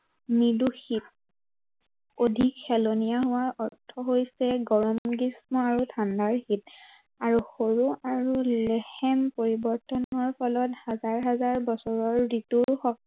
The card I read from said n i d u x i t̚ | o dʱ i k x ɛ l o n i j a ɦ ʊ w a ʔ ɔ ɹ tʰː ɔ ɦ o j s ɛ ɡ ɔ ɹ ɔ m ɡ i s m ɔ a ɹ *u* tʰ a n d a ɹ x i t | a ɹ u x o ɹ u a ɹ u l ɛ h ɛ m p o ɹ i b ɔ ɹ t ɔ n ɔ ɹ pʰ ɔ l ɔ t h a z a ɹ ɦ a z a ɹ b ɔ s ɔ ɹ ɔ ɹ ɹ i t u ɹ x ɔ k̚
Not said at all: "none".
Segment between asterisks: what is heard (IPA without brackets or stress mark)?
u